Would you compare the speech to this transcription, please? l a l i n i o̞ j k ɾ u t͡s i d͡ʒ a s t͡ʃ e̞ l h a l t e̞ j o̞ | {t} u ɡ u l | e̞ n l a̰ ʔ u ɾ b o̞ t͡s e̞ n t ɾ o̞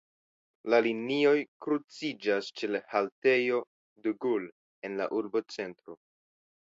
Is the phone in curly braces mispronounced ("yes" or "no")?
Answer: yes